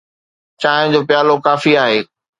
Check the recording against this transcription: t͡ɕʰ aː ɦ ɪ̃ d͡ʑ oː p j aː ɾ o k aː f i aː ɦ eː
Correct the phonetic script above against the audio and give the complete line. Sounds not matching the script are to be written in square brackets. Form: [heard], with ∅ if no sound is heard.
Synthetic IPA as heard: [t͡ɕ] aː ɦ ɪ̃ d͡ʑ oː p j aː [l] o k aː f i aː ɦ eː